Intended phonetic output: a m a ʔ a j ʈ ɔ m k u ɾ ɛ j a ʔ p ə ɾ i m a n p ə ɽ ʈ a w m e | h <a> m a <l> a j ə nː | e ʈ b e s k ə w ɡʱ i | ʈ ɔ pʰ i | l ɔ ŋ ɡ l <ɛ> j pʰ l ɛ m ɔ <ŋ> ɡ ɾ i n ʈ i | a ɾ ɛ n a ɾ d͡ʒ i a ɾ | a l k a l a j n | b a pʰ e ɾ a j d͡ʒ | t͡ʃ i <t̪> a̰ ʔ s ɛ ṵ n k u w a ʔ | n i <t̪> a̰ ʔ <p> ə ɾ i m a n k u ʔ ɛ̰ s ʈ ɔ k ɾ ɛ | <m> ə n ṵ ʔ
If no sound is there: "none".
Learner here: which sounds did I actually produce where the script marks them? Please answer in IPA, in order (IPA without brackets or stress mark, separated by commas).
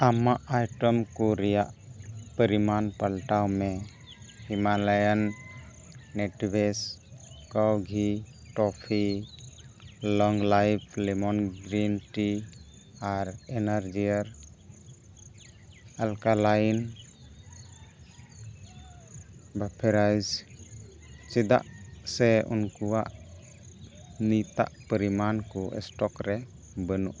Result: i, l, a, n, d̪, t̪, p, b